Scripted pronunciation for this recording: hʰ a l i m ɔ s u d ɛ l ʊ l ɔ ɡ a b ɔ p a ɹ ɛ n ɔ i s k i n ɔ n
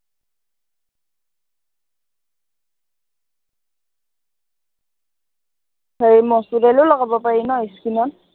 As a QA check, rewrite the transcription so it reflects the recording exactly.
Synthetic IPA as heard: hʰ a ɹ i m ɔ s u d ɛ l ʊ l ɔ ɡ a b ɔ p a ɹ i n ɔ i s k i n ɔ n